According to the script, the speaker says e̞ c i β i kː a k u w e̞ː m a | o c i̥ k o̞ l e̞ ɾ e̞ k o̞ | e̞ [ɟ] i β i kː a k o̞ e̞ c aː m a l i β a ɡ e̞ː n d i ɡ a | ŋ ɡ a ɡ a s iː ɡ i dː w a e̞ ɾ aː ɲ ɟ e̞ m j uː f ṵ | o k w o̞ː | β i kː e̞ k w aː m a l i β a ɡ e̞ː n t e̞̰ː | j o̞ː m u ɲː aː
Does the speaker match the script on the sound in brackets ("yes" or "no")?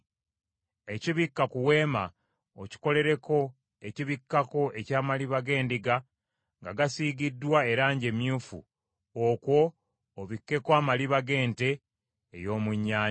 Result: no